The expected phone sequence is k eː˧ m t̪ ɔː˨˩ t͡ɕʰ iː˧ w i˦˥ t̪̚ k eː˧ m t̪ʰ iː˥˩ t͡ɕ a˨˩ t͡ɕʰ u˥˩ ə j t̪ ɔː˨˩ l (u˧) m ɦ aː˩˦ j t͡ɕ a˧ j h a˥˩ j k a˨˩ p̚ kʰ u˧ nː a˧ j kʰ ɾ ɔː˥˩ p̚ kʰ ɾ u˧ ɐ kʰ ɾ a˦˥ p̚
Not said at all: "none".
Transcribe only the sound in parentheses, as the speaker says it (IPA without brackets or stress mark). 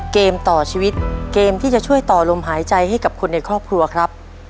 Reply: o˧